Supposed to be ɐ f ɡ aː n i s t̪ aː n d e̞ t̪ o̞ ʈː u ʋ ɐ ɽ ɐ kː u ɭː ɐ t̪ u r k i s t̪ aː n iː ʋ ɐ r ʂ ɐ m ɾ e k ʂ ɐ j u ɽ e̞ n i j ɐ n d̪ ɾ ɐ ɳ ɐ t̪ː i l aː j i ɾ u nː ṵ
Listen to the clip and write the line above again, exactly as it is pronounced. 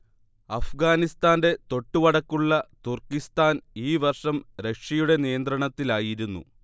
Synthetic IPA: ɐ f ɡ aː n i s t̪ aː n d e̞ t̪ o̞ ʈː u ʋ ɐ ɽ ɐ kː u ɭː ɐ t̪ u r k i s t̪ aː n iː ʋ ɐ r ʂ ɐ m ɾ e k ʂ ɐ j u ɽ e̞ n i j ɐ n d̪ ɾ ɐ ɳ ɐ t̪ː i l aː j i ɾ u nː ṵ